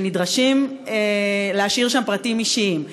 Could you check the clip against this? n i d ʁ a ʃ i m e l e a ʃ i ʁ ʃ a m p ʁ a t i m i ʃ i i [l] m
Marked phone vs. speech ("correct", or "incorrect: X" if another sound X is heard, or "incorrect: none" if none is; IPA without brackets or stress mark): incorrect: none